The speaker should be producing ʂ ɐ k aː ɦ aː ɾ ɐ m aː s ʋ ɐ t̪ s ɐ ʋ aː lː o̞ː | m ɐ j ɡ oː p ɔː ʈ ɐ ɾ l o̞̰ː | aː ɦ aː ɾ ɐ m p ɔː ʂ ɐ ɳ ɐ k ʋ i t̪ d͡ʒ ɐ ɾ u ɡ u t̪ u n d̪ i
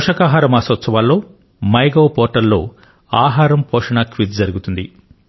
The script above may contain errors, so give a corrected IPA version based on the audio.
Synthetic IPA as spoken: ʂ ɐ k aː ɦ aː ɾ ɐ m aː s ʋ ɐ t̪ s ɐ ʋ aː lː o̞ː | m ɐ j ɡ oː p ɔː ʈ ɐ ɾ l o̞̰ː | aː ɦ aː ɾ ɐ m p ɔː ʂ ɐ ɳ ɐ k ʋ i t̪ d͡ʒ ɐ ɾ u ɡ u t̪ u n d̪ i

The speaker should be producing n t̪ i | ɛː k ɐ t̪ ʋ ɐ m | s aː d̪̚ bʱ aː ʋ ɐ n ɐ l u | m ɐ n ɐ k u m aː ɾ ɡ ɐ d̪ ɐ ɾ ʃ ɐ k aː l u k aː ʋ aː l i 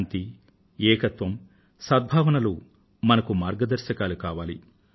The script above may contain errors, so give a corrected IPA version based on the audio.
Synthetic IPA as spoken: n t̪ i | ɛː k ɐ t̪ ʋ ɐ m | s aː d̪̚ bʱ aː ʋ ɐ n ɐ l u | m ɐ n ɐ k u m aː ɾ ɡ ɐ d̪ ɐ ɾ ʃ ɐ k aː l u k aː ʋ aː l i

